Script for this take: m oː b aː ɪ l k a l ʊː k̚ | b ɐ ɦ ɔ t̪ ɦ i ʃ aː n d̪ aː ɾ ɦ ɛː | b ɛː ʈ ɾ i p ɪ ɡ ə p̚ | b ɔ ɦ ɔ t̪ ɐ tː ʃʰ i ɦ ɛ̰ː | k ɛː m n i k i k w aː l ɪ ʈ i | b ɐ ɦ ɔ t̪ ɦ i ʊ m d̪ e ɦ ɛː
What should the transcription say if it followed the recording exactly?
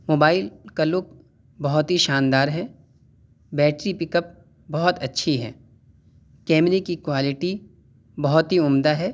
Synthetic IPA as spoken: m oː b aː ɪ l k a l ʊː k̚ | b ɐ ɦ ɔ t̪ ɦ i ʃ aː n d̪ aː ɾ ɦ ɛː | b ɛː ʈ ɾ i p ɪ k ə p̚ | b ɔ ɦ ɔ t̪ ɐ tː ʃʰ i ɦ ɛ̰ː | k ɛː m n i k i k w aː l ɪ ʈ i | b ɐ ɦ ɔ t̪ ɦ i ʊ m d̪ a ɦ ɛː

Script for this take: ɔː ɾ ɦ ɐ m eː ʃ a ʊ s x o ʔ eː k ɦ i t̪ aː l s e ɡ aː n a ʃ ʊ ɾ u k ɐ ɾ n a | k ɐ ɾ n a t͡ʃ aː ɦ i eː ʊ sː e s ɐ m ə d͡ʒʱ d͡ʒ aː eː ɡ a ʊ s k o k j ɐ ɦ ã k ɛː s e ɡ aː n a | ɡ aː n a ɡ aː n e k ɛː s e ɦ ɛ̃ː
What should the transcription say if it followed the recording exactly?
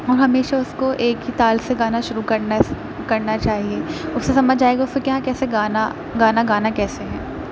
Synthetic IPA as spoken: ɔː ɾ ɦ ɐ m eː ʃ a ʊ s k o ʔ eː k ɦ i t̪ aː l s e ɡ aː n a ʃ ʊ ɾ u k ɐ ɾ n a | k ɐ ɾ n a t͡ʃ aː ɦ i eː ʊ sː e s ɐ m ə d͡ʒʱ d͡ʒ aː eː ɡ a ʊ s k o k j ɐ ɦ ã k ɛː s e ɡ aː n a | ɡ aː n a ɡ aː n a k ɛː s e ɦ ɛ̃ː

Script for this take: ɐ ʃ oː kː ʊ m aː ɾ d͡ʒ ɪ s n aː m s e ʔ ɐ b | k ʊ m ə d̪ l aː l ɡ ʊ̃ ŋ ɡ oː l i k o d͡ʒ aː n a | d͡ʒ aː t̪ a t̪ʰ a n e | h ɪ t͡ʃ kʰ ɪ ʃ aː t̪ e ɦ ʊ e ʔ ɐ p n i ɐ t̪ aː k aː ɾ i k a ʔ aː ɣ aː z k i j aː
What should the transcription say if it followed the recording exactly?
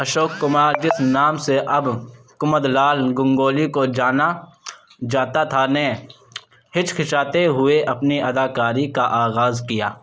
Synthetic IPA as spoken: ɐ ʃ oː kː ʊ m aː ɾ d͡ʒ ɪ s n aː m s e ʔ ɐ b | k ʊ m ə d̪ l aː l ɡ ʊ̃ ŋ ɡ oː l i k o d͡ʒ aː n a | d͡ʒ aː t̪ a t̪ʰ a n e | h ɪ t͡ʃ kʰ ɪ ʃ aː t̪ e ɦ ʊ e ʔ ɐ p n i ɐ d̪ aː k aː ɾ i k a ʔ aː ɣ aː z k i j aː

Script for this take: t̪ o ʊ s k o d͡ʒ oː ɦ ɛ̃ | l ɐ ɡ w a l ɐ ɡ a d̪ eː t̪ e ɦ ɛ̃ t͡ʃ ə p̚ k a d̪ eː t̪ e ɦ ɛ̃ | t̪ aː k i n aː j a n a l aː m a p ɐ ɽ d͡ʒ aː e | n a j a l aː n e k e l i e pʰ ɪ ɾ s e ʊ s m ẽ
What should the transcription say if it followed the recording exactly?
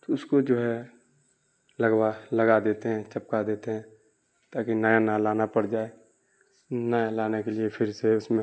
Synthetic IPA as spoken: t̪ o ʊ s k o d͡ʒ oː ɦ ɛ | l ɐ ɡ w a l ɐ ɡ a d̪ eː t̪ e ɦ ɛ̃ t͡ʃ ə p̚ k a d̪ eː t̪ e ɦ ɛ̃ | t̪ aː k i n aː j a n a l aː n a p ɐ ɽ d͡ʒ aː e | n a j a l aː n e k e l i e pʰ ɪ ɾ s e ʊ s m ẽ

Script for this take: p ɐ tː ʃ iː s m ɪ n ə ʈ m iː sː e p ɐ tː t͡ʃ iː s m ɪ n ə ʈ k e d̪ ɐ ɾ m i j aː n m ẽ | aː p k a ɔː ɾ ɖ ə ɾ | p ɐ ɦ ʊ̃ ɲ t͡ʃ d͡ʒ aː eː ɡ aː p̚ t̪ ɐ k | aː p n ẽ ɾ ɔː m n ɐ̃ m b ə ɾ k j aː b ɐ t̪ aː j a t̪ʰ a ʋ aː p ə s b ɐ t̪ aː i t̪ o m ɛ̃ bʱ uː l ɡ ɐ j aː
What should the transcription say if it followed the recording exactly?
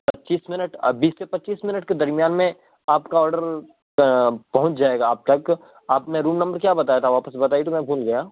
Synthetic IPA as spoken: p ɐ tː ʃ iː s m ɪ n ə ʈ b iː sː e p ɐ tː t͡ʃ iː s m ɪ n ə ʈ k e d̪ ɐ ɾ m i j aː n m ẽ | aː p k a ɔː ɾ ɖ ə ɾ | p ɐ ɦ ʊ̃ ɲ t͡ʃ d͡ʒ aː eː ɡ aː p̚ t̪ ɐ k | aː p n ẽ ɾ uː m n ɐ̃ m b ə ɾ k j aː b ɐ t̪ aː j a t̪ʰ a ʋ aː p ə s b ɐ t̪ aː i t̪ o m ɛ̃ bʱ uː l ɡ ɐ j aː

